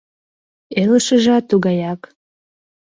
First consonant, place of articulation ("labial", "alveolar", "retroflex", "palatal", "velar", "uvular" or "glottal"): alveolar